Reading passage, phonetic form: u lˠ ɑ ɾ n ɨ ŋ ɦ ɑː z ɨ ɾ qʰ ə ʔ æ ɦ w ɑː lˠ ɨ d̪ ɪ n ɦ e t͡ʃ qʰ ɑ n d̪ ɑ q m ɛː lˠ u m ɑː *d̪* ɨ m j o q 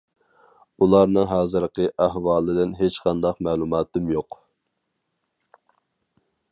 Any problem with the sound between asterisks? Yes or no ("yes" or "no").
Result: yes